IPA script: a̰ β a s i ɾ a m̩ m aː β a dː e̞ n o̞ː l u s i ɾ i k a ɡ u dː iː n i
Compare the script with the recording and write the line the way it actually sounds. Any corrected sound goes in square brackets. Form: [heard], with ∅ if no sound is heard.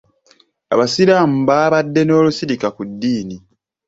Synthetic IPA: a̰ β a s i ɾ a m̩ [b] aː β a dː e̞ n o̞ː l u s i ɾ i k a [k] u dː iː n i